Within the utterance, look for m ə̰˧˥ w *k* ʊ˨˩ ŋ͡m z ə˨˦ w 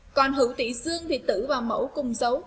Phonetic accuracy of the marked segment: correct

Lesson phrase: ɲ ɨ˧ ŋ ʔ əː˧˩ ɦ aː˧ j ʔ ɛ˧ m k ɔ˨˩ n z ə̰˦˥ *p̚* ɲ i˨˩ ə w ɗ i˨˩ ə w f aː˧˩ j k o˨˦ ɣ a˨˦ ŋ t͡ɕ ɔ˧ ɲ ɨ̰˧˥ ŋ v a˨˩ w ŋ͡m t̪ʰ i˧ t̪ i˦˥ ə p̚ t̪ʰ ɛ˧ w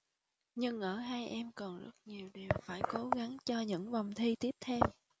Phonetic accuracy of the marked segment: incorrect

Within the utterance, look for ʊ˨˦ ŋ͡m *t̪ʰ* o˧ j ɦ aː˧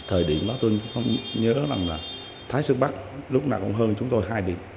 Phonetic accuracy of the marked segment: incorrect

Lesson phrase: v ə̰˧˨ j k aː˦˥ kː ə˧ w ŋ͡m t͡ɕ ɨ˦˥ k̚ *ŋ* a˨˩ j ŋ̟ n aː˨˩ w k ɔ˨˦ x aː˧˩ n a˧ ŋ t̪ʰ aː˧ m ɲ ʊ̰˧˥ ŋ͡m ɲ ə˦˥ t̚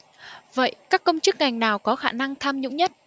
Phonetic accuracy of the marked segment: correct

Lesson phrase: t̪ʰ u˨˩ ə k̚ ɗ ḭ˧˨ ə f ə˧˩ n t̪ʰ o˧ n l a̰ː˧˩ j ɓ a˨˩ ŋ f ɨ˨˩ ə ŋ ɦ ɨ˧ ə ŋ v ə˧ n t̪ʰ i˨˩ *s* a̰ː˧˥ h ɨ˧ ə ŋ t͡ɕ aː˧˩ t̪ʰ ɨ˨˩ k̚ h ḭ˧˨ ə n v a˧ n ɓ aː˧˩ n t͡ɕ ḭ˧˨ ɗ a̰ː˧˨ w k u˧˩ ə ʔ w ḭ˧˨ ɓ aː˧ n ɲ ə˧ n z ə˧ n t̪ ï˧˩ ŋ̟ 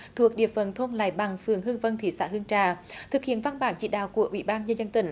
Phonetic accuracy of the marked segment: correct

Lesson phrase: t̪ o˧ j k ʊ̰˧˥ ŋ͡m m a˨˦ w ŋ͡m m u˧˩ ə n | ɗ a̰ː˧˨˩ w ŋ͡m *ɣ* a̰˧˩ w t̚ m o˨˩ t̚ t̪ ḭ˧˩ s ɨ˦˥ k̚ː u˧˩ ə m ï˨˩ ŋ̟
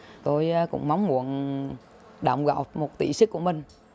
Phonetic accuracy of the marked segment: correct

